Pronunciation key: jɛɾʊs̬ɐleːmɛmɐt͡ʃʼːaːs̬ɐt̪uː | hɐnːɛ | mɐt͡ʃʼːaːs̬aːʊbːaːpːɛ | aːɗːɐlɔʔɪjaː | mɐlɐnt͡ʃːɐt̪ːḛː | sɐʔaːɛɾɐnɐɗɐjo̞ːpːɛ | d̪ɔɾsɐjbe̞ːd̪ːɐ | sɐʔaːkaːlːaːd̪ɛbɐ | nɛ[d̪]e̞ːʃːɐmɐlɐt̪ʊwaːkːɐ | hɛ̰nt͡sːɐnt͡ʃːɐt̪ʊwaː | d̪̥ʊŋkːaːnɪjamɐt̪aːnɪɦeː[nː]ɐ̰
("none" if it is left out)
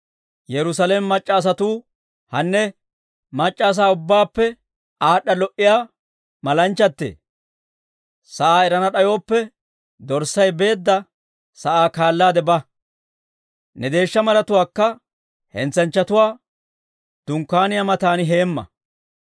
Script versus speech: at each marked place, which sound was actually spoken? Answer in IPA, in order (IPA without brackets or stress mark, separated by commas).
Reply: d̪, mː